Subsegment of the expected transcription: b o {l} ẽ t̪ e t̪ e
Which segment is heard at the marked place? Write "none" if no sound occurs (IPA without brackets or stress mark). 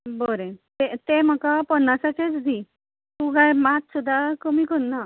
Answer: ɾ